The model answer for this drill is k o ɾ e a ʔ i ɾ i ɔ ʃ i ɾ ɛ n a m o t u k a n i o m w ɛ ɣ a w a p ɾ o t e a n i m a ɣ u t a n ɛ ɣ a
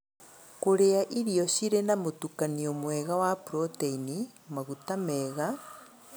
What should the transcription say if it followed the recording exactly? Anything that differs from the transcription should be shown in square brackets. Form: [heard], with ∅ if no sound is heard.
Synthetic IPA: k o ɾ e a ʔ i ɾ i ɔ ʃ i ɾ [e] n a m o t u k a n i o m w ɛ ɣ a w a p ɾ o t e [i] n i m a ɣ u t a [m] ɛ ɣ a